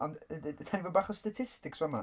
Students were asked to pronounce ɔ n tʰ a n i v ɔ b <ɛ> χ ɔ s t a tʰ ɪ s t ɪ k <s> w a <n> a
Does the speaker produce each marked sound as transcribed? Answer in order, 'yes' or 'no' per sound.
no, yes, no

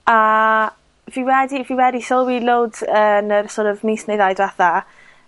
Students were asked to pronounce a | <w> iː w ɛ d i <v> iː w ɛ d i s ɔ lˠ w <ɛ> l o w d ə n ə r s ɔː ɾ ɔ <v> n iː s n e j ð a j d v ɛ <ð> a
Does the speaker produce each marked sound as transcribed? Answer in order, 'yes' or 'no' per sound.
no, yes, no, yes, no

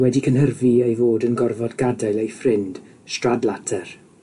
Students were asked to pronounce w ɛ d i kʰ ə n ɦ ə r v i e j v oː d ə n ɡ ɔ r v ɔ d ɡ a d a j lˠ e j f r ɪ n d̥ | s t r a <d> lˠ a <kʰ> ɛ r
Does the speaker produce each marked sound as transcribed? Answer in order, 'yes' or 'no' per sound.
yes, no

